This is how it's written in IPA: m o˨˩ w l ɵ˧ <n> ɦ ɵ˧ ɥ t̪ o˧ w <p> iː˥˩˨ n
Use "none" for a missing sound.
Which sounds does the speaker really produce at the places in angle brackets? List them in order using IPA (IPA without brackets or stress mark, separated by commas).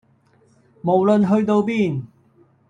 n, p